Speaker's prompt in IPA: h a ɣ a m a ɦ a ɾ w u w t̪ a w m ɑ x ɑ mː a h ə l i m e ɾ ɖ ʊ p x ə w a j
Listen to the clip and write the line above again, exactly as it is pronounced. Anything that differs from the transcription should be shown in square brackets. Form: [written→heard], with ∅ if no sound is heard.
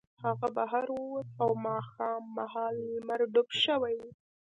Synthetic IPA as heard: h a ɣ a [m→b] a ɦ a ɾ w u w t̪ a w m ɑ x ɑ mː a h [ə→ɑ] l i m [e→a] ɾ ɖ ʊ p [x→ʃ] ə w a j